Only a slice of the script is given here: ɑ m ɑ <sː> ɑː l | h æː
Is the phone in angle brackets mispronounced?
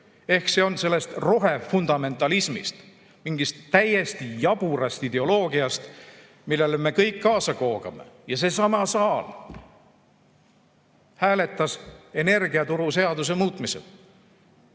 yes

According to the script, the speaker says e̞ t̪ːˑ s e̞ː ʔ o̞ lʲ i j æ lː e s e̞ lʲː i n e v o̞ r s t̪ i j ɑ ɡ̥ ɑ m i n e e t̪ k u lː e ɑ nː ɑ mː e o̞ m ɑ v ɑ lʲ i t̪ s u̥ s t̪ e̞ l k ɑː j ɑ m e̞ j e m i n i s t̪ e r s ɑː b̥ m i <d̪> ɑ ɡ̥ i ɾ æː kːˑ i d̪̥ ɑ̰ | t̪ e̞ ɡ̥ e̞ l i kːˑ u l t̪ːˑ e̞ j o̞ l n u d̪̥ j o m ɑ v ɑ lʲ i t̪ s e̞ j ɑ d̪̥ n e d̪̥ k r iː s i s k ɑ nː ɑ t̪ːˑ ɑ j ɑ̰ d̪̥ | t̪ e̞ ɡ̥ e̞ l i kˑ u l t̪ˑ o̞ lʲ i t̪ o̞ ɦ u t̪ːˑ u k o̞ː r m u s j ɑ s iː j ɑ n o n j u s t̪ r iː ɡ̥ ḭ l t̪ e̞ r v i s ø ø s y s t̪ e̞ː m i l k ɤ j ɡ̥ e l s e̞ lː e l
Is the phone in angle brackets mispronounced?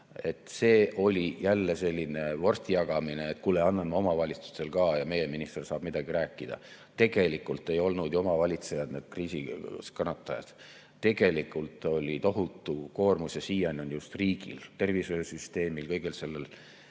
no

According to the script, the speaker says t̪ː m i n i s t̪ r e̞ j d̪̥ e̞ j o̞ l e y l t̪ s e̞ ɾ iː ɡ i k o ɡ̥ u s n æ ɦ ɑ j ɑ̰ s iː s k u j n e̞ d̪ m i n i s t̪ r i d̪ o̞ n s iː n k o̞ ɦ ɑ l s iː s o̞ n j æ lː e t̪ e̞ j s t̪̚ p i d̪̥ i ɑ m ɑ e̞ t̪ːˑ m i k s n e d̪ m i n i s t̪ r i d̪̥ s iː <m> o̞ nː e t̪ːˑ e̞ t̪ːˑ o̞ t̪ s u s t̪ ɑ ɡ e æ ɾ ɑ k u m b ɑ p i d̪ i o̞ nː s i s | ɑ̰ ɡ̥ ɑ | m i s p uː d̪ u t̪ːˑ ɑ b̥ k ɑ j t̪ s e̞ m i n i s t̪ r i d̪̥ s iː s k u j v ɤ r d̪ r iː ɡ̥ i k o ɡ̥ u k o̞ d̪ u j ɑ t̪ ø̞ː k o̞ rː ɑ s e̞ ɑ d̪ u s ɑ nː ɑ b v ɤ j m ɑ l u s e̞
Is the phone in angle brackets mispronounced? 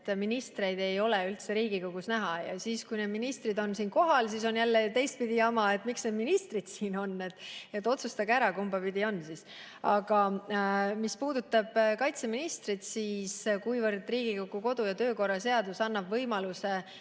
yes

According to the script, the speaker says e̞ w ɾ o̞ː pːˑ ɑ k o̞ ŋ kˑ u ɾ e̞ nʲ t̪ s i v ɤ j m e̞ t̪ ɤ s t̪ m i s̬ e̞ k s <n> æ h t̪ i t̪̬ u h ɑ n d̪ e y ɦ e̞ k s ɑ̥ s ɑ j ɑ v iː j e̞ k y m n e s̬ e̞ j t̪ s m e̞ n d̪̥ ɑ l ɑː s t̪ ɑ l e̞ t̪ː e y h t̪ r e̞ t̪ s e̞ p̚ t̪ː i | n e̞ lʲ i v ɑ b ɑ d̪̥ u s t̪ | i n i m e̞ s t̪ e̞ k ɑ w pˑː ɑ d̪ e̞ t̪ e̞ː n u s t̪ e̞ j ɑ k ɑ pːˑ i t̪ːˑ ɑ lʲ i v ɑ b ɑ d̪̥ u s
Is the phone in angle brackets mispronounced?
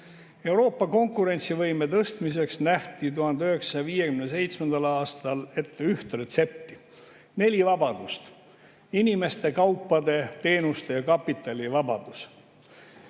no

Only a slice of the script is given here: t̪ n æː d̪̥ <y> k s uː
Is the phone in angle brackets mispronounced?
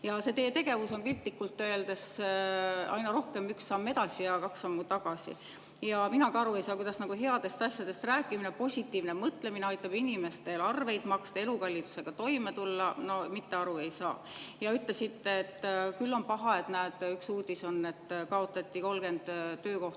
no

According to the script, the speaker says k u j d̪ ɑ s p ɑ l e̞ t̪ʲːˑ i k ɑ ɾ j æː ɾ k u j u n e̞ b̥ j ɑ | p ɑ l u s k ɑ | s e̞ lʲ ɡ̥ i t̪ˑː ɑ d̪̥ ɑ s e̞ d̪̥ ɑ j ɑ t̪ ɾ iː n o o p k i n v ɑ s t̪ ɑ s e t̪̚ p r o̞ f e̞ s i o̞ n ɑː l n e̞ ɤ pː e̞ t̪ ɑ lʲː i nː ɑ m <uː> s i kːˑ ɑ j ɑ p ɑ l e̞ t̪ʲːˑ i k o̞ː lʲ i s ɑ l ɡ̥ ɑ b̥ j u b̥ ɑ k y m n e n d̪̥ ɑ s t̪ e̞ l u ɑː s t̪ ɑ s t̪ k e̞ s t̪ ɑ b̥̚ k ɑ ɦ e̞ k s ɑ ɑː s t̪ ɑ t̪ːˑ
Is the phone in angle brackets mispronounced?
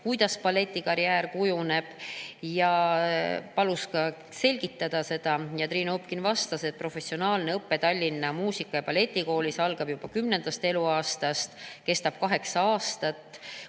no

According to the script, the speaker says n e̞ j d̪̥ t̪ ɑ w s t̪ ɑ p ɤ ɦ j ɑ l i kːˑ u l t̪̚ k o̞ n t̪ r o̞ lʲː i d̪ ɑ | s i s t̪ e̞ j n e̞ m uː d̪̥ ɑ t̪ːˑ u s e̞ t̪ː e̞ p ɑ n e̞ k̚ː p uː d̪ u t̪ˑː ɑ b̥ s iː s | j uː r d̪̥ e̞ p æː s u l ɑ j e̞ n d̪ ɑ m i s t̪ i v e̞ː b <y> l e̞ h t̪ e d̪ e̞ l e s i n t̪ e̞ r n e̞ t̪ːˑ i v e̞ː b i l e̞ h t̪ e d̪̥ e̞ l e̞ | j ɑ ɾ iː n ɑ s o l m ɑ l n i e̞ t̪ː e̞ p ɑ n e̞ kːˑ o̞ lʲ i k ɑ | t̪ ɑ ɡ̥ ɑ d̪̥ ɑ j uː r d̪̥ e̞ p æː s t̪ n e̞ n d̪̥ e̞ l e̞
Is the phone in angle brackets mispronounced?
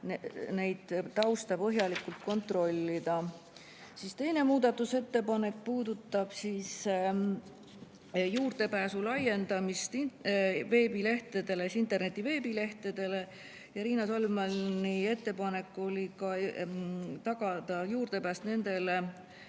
yes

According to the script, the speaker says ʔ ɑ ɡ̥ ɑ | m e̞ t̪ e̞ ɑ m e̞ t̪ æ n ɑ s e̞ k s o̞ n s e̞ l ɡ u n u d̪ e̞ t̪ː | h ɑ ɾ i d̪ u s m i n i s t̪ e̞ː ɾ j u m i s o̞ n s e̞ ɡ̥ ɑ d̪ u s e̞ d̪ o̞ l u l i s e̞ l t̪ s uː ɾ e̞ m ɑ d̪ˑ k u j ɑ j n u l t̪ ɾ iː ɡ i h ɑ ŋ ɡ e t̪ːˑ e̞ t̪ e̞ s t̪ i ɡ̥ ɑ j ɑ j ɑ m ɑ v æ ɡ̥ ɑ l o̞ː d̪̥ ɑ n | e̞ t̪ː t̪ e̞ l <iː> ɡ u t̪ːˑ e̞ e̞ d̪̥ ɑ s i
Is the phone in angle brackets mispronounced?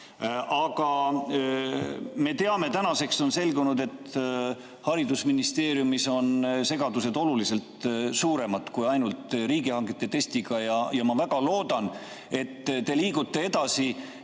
no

